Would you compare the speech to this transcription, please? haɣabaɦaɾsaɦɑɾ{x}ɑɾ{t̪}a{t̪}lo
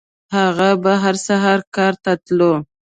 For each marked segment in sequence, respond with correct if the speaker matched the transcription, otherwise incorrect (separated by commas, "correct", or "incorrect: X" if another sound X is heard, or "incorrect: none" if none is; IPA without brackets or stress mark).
incorrect: k, correct, correct